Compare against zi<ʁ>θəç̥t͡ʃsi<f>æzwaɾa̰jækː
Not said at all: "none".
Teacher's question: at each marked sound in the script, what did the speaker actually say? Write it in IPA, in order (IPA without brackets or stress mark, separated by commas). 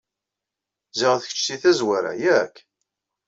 ʁ, θ